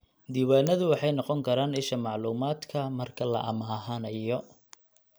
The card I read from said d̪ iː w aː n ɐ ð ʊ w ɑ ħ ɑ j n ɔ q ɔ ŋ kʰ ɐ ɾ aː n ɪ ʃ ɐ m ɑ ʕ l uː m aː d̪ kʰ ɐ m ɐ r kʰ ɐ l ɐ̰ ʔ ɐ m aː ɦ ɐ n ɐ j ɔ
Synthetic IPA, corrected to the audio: d̪ iː w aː n ɐ ð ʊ w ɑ ħ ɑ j n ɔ q ɔ ŋ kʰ ɐ ɾ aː n ɪ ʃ ɐ m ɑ ʕ l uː m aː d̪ kʰ ɐ m ɐ r kʰ ɐ l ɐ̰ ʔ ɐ m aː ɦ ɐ n ɐ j ɔ